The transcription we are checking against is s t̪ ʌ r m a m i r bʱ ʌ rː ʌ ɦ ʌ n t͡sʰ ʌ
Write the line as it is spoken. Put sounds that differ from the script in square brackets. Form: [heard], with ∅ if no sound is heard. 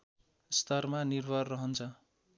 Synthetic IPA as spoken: s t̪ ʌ r m a [n] i r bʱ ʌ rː ʌ ɦ ʌ n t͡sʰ ʌ